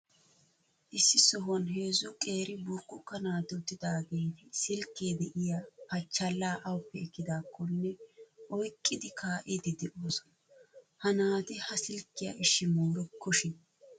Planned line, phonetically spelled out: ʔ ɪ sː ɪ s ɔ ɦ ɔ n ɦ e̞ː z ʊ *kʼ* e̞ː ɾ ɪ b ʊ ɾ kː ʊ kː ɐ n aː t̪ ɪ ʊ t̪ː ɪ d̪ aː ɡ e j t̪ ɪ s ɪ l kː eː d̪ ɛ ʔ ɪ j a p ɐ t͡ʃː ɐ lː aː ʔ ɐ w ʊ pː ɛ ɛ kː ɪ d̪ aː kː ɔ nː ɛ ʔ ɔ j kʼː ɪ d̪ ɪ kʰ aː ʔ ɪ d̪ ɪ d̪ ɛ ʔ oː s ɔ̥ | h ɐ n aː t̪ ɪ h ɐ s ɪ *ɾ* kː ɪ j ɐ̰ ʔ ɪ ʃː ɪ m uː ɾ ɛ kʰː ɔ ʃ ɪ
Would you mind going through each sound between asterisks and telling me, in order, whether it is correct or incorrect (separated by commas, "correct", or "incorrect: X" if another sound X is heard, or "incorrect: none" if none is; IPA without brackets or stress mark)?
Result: correct, incorrect: l